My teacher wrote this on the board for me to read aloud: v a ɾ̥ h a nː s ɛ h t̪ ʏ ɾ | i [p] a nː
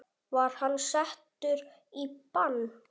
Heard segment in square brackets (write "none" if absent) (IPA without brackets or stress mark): p